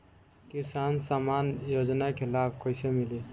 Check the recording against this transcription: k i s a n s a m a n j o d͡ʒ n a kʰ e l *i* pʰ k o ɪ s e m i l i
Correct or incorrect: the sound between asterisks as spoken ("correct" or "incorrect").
incorrect